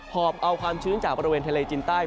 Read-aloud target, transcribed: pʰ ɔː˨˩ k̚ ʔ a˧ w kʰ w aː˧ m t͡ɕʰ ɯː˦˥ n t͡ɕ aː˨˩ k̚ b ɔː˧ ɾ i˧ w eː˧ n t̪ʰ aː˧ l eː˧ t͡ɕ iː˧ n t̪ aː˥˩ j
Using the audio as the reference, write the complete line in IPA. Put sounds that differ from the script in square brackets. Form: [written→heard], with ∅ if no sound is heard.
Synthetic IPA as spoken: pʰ ɔː˨˩ [k̚→p̚] ʔ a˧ w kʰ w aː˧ m t͡ɕʰ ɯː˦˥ n t͡ɕ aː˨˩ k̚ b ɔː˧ ɾ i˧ w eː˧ n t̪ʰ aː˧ l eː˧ t͡ɕ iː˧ n t̪ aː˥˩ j